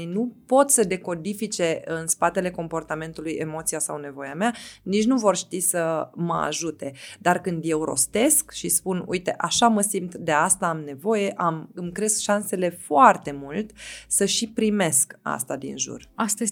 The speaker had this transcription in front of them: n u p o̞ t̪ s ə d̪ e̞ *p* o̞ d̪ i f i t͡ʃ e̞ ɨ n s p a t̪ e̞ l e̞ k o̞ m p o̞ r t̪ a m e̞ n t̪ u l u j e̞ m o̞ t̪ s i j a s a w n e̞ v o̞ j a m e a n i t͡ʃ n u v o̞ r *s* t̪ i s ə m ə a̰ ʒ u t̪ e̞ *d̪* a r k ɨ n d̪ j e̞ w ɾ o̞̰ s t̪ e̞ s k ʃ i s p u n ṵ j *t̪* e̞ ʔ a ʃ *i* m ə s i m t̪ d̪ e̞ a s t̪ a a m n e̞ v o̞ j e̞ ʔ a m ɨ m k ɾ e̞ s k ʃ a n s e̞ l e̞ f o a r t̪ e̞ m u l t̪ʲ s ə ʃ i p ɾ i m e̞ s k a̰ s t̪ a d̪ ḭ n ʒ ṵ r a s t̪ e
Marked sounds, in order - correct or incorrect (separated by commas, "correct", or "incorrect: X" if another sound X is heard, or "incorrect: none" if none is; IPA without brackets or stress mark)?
incorrect: k, incorrect: ʃ, correct, correct, incorrect: a